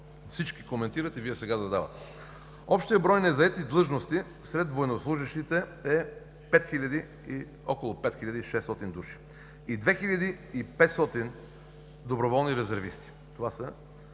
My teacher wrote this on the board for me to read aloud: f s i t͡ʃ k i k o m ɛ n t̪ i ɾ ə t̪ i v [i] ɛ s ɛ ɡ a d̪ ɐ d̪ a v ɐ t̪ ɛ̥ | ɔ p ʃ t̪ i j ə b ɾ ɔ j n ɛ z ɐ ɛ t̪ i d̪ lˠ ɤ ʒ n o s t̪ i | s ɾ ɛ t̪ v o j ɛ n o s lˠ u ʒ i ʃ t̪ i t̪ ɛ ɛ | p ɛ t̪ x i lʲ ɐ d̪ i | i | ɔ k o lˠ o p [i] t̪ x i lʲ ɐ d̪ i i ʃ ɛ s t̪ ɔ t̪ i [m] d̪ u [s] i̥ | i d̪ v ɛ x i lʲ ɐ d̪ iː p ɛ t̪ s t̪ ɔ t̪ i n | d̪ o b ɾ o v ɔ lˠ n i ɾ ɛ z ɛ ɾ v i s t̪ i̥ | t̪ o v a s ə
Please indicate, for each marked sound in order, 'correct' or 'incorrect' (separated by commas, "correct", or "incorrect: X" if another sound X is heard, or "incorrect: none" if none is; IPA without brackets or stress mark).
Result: correct, incorrect: ɛ, incorrect: n, incorrect: ʃ